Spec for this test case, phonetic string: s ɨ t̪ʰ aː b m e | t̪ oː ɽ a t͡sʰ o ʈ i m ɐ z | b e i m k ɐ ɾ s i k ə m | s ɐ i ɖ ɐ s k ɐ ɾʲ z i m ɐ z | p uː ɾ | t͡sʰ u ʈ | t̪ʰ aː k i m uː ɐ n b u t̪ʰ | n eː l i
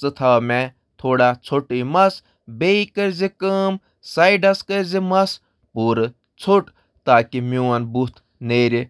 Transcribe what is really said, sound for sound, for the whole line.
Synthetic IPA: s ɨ t̪ʰ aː m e | t̪ʰ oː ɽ a t͡sʰ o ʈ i m ɐ s | b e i k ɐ ɾ z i k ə m | s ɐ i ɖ ɐ s k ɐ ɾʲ z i m ɐ s | p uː ɾ | t͡sʰ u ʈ | t̪ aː k i m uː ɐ n b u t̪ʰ | n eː ɾ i